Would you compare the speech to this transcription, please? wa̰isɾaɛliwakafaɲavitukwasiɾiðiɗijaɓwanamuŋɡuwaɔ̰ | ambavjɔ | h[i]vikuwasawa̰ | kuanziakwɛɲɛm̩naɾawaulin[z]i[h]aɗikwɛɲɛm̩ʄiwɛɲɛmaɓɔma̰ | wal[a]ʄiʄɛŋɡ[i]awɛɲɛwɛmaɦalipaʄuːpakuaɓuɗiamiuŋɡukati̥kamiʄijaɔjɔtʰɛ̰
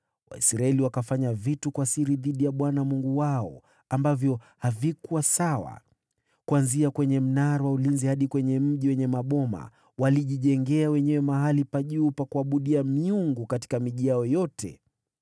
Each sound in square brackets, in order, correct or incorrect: incorrect: a, correct, correct, incorrect: i, incorrect: ɛ

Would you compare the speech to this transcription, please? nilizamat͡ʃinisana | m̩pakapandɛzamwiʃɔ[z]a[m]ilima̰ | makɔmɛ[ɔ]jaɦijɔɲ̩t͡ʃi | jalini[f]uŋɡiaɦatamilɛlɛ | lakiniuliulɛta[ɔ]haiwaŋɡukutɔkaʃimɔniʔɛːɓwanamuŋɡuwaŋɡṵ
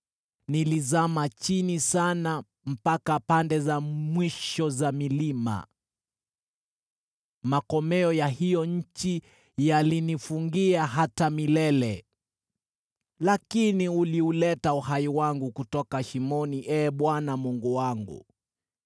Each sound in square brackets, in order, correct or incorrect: correct, correct, correct, correct, incorrect: u

